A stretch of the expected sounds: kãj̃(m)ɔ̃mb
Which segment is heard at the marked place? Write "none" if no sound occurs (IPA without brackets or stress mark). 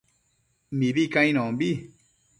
n